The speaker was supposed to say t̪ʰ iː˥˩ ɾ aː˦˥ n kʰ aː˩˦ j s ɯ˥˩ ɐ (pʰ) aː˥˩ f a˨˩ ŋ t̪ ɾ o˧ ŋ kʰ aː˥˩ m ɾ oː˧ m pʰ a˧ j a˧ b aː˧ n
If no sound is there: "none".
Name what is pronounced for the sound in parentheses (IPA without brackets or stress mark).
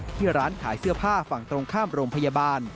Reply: pʰ